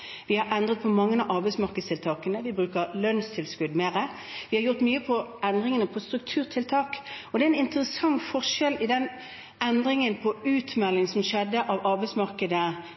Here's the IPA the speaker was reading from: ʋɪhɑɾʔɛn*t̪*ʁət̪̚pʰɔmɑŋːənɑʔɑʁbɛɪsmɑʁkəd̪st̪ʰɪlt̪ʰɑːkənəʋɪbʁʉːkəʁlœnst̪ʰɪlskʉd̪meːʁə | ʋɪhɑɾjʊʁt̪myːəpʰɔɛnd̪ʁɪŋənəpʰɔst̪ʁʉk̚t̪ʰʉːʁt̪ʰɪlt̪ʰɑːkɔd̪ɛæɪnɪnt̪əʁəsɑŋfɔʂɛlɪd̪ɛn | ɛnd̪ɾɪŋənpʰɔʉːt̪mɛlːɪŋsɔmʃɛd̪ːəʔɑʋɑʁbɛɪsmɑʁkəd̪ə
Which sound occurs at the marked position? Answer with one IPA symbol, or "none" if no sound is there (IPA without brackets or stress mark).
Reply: d̪